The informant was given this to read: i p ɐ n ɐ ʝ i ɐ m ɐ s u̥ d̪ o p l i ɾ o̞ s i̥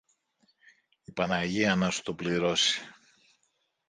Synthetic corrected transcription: i p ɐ n ɐ ʝ i ɐ n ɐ s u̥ t̪ o p l i ɾ o̞ s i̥

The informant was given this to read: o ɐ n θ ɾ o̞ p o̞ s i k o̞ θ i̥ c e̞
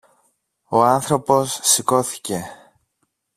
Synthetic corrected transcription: o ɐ n θ ɾ o̞ p o̞ sː i k o̞ θ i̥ c e̞

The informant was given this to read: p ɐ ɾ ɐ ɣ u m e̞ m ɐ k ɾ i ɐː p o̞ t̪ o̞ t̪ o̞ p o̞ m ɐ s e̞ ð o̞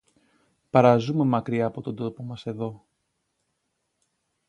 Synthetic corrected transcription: p ɐ ɾ ɐ z u m e̞ m ɐ k ɾ i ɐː p o̞ t̪ o̞ d̪ o̞ p o̞ m ɐ s e̞ ð o̞

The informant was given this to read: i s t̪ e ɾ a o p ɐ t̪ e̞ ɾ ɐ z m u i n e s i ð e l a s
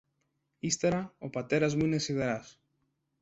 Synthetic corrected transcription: i s t̪ e ɾ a o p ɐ t̪ e̞ ɾ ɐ z m u i n e s i ð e ɾ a s

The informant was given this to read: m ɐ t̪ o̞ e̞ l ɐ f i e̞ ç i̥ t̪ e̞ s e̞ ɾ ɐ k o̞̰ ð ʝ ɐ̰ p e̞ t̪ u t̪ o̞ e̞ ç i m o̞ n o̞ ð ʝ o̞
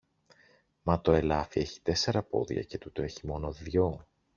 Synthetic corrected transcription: m ɐ t̪ o̞ e̞ l ɐ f i e̞ ç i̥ t̪ e̞ s e̞ ɾ ɐ p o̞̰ ð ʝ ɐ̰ c e̞ t̪ u t̪ o̞ e̞ ç i m o̞ n o̞ ð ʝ o̞

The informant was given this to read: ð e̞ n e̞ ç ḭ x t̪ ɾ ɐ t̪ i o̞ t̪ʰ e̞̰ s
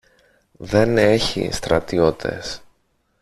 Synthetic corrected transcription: ð e̞ n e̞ ç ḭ s t̪ ɾ ɐ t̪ i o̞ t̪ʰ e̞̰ s

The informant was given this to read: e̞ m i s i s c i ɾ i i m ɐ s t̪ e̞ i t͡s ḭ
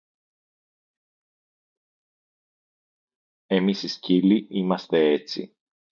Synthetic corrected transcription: e̞ m i s i s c i l i i m ɐ s t̪ e̞ e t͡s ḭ

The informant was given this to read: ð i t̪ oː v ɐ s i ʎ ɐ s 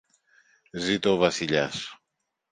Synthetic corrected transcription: z i t̪ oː v ɐ s i ʎ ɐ s

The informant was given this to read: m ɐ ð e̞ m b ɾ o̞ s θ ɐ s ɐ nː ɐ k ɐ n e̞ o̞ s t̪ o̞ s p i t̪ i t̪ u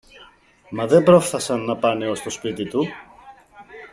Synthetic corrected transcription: m ɐ ð e̞ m b ɾ o̞ f θ ɐ s ɐ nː ɐ p ɐ n e̞ o̞ s t̪ o̞ s p i t̪ i t̪ u

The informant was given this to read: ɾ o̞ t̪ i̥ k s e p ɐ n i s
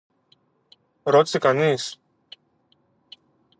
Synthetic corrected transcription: ɾ o̞ t̪ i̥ s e k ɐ n i s

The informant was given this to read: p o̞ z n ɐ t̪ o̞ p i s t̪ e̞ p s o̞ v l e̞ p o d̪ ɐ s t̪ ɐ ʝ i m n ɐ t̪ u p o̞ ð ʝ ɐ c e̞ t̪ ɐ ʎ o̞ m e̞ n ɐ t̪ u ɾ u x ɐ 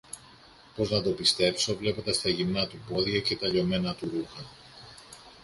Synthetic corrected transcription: p o̞ z n ɐ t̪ o̞ p i s t̪ e̞ p s o̞ v l e̞ p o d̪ ɐ s t̪ ɐ ʝ i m n ɐ t̪ u p o̞ ð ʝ ɐ c e̞ t̪ ɐ ʎ o̞ m e̞ n ɐ t̪ u ɾ u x ɐ

